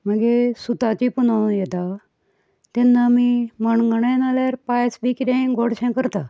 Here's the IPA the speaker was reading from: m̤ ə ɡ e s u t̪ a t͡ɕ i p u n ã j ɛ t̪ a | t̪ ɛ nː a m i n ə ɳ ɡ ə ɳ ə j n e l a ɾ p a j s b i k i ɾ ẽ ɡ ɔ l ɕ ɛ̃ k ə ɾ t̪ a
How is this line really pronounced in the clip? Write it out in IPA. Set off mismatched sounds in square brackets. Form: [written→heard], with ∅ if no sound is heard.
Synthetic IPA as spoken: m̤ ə ɡ e s u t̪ a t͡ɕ i p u n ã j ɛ t̪ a | t̪ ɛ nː a m i [n→m] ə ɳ ɡ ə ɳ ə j n [e→a] l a ɾ p a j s b i k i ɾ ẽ ɡ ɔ [l→ɽ] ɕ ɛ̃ k ə ɾ t̪ a